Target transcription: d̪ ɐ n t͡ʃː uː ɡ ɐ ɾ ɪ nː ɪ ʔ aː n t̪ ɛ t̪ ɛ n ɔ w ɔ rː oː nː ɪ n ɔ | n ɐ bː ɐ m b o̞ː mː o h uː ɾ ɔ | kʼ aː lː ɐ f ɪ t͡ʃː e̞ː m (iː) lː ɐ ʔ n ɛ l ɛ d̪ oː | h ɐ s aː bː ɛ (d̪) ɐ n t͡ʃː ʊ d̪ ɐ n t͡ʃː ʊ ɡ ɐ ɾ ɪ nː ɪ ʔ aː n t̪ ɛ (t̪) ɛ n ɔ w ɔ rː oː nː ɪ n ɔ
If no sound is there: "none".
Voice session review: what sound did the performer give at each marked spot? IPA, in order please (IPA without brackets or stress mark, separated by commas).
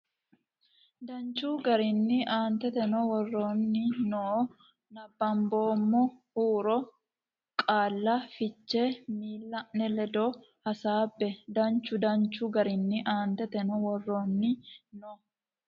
iː, d̪, t̪